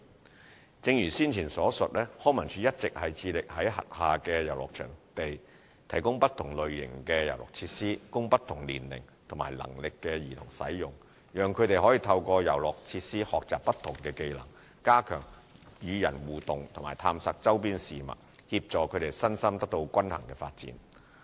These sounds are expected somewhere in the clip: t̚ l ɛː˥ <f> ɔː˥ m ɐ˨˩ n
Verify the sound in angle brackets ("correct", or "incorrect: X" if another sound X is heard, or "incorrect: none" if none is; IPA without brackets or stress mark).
incorrect: h